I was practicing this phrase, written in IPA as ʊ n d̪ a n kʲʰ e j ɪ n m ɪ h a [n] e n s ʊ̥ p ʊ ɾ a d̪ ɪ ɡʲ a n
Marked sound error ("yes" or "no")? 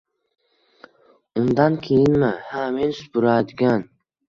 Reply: yes